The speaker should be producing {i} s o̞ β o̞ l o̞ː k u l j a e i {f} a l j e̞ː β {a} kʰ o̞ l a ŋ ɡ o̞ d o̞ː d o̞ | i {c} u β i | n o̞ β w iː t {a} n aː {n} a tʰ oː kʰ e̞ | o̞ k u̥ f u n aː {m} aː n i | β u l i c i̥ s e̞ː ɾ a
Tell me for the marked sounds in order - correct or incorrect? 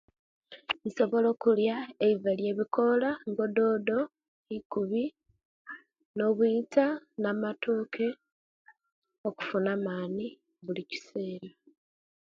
correct, incorrect, incorrect, incorrect, correct, incorrect, correct

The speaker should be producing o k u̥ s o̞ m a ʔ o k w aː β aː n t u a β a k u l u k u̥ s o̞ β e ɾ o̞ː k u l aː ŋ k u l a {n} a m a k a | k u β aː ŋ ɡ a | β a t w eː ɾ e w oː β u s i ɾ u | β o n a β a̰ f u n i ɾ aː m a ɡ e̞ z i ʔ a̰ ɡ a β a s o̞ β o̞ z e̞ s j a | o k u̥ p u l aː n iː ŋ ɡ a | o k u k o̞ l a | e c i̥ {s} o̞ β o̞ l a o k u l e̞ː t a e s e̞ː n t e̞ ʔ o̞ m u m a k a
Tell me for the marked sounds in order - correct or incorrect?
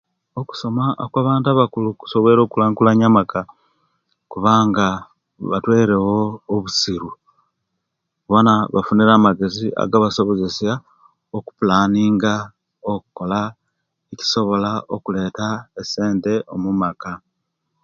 incorrect, correct

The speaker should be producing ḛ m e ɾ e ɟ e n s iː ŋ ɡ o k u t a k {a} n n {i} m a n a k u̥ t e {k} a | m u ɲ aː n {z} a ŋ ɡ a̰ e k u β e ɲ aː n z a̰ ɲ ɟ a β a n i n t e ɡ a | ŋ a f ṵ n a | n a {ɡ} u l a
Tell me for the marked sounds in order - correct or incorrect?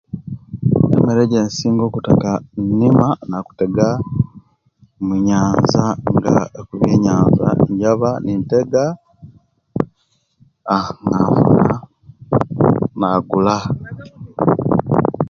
correct, correct, incorrect, correct, correct

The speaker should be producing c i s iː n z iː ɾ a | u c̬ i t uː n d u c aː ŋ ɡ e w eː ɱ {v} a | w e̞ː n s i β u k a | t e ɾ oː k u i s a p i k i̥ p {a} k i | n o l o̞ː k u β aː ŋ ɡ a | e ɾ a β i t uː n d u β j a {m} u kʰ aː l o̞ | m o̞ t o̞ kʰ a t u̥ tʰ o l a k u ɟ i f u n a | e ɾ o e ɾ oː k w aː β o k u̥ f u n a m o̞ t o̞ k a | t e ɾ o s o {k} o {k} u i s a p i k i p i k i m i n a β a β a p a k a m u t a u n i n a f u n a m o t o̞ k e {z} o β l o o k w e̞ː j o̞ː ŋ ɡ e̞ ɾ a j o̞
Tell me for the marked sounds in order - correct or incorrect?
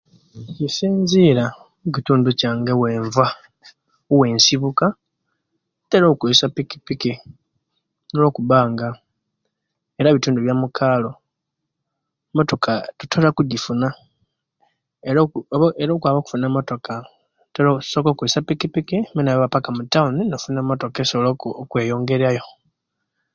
correct, incorrect, correct, correct, correct, incorrect

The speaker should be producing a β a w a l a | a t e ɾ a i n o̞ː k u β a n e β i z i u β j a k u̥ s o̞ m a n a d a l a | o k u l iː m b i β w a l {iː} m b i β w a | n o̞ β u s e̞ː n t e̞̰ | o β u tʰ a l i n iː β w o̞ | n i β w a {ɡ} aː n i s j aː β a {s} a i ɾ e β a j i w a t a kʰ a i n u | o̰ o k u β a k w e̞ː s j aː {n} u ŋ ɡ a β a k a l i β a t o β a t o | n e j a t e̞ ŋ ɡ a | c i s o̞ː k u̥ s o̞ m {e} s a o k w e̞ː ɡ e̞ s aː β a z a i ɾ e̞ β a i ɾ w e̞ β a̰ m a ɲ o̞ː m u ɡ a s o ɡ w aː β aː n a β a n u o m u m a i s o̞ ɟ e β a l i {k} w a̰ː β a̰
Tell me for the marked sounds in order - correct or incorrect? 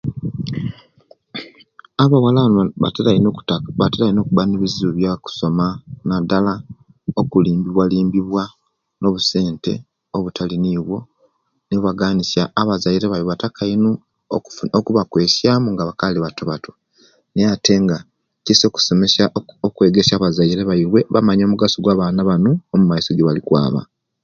correct, correct, incorrect, incorrect, correct, correct

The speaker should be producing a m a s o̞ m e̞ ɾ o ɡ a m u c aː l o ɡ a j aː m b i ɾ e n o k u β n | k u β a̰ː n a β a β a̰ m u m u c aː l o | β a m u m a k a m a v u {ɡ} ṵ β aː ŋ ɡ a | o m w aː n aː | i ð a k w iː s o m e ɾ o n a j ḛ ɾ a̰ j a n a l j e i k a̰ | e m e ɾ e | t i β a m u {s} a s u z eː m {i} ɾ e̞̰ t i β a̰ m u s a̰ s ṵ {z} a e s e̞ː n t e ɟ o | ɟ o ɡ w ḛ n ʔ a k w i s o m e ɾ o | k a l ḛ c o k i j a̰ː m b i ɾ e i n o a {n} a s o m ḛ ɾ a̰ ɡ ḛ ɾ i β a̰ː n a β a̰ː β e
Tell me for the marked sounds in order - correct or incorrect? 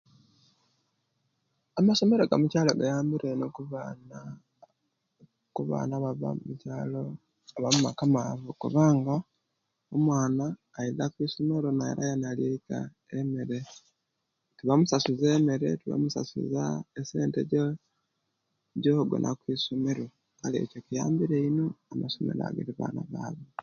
incorrect, correct, incorrect, correct, incorrect

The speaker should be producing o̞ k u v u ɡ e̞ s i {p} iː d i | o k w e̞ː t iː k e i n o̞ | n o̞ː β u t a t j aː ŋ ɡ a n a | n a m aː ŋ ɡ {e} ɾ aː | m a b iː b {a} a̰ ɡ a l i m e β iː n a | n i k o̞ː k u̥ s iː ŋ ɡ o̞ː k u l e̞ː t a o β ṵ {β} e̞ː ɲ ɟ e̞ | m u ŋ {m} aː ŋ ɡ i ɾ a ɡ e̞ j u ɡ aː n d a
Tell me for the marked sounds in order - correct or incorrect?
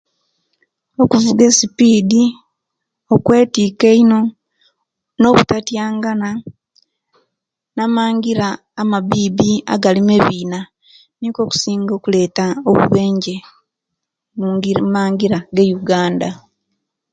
correct, incorrect, incorrect, correct, correct

